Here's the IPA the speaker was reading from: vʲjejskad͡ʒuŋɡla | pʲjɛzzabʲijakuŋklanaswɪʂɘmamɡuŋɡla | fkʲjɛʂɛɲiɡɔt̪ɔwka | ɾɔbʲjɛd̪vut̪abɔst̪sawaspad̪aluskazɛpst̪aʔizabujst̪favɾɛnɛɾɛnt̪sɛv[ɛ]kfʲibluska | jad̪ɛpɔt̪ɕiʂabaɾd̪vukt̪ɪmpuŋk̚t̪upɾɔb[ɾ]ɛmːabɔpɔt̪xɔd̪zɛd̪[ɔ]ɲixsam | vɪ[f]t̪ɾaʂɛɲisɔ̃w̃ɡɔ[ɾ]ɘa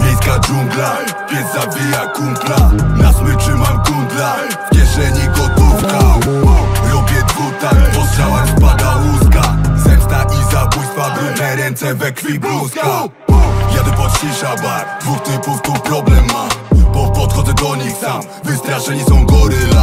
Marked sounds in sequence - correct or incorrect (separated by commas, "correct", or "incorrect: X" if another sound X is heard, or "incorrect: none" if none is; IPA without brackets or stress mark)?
correct, incorrect: l, correct, incorrect: s, correct